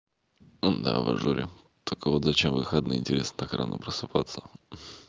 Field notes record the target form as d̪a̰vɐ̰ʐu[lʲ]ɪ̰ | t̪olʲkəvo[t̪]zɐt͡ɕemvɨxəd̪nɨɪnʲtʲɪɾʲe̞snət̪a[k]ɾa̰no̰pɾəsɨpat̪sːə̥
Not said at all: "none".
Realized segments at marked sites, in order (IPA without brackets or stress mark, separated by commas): ɾʲ, t̪, k